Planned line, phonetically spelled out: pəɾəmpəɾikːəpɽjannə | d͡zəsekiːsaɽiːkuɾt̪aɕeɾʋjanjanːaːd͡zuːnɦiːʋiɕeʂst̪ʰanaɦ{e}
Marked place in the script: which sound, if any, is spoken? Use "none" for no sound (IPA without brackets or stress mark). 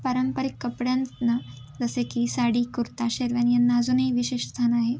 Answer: e